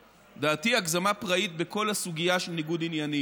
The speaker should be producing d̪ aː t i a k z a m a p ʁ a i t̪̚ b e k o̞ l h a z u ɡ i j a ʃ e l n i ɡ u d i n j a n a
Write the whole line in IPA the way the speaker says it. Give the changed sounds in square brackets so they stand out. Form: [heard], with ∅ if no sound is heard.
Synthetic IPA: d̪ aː t i a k z a m a p ʁ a i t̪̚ b e k o̞ l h a [s] u ɡ i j a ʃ e l n i ɡ u d i n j a n [i]

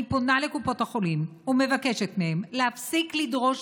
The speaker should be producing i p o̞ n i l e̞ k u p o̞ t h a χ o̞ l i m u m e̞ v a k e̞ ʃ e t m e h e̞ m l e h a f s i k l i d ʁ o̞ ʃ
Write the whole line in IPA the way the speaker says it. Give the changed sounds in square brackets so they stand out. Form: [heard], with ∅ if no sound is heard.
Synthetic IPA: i p o̞ n [a] l e̞ k u p o̞ t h a χ o̞ l i m u m e̞ v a k e̞ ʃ e t m e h e̞ m l e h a f s i k l i d ʁ o̞ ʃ

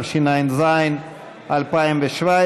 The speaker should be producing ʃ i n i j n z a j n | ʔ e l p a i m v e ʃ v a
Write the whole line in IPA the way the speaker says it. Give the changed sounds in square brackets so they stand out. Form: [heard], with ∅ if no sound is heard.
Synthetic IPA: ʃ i n [a] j n z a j n | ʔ [a] l p a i m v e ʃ v a

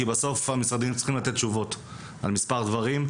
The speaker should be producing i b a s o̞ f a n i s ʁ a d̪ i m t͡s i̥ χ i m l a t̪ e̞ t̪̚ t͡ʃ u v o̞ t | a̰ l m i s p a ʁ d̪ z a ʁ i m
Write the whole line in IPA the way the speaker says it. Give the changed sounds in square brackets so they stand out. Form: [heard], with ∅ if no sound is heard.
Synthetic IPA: i b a s o̞ f a [m] i s ʁ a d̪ i m t͡s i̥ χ i m l a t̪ e̞ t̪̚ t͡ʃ u v o̞ t | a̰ l m i s p a ʁ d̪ [v] a ʁ i m

